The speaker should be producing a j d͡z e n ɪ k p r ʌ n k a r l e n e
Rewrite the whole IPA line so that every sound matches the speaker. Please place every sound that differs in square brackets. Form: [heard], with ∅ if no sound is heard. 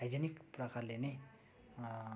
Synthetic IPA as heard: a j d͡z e n [i] k p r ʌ [∅] k a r l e n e